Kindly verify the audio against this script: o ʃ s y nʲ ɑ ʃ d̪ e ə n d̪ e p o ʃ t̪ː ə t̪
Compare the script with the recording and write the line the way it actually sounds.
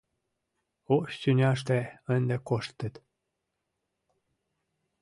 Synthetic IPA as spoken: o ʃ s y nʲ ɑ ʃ t̪ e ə n d̪ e k o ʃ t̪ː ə t̪

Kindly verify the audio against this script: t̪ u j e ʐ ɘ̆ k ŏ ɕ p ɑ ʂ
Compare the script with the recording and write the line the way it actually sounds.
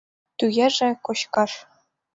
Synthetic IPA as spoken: t̪ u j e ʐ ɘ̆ k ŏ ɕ k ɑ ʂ

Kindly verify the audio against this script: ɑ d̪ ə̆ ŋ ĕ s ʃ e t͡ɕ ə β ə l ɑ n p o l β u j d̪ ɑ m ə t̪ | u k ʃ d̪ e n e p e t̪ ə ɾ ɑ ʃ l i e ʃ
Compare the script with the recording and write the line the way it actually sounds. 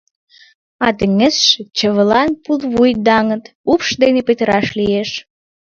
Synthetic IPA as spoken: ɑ t̪ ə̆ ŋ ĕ s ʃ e t͡ɕ ə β ə l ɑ n p u l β u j d̪ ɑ ŋ ə t̪ | u p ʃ d̪ e n e p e t̪ ə ɾ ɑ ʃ l i e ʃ

